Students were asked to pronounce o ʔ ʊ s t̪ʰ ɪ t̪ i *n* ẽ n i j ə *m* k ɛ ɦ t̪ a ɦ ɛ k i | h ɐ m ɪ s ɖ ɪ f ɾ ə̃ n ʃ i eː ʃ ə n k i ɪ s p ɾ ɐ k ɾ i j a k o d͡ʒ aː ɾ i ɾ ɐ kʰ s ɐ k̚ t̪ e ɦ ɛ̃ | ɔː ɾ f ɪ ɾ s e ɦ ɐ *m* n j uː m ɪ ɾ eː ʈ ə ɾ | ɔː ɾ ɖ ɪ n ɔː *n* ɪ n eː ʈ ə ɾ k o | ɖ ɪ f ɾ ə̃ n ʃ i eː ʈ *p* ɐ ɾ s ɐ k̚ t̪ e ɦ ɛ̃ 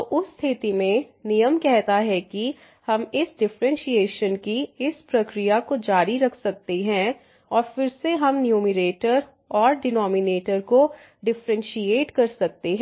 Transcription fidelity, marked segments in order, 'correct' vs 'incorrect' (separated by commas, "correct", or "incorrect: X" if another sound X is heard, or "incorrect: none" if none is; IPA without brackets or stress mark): incorrect: m, correct, correct, incorrect: m, incorrect: k